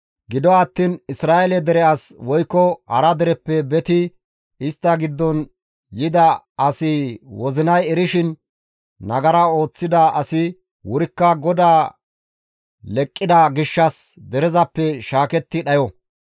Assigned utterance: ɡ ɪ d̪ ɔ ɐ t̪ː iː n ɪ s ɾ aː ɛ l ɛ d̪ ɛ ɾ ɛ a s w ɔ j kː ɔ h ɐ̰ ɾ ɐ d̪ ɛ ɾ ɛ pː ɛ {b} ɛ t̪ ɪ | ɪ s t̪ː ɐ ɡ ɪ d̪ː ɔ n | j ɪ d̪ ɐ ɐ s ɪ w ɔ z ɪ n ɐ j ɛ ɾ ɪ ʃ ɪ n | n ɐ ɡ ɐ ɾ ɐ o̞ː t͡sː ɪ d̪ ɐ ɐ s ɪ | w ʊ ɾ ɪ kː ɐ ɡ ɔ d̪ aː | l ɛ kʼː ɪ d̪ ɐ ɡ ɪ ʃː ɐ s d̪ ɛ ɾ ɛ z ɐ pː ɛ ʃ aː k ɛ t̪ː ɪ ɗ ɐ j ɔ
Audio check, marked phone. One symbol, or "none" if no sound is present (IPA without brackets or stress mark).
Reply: b